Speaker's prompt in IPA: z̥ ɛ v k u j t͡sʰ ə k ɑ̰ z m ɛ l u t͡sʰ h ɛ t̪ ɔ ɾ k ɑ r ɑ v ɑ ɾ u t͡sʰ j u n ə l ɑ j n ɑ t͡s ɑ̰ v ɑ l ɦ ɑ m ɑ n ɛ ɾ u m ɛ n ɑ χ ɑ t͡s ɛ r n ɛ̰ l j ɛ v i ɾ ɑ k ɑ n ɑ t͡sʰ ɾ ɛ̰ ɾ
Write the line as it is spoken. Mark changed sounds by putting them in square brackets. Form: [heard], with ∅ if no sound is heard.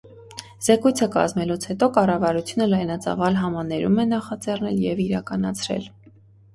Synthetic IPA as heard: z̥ ɛ [∅] k u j t͡sʰ ə k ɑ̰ z m ɛ l u t͡sʰ h ɛ t̪ ɔ [∅] k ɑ r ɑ v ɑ ɾ u t͡sʰ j u n ə l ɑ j n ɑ t͡s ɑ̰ v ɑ l ɦ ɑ m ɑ n ɛ ɾ u m ɛ n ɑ χ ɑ t͡s ɛ r n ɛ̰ l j ɛ v i ɾ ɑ k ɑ n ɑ t͡sʰ ɾ ɛ̰ [l]